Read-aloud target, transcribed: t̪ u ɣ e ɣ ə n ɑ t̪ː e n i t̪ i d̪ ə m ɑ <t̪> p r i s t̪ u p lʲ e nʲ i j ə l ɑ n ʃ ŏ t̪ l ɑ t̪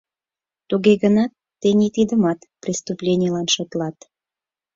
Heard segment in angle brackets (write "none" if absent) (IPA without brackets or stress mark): t̪